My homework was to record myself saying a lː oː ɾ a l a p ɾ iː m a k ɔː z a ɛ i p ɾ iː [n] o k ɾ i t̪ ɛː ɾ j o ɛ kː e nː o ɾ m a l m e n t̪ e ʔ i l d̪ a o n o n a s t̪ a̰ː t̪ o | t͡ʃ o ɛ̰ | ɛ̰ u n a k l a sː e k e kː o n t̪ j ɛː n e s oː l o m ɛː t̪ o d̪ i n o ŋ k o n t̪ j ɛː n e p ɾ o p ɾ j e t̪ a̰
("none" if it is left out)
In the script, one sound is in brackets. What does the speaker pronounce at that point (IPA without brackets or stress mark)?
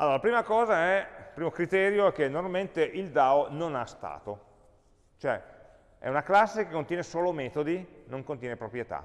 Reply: m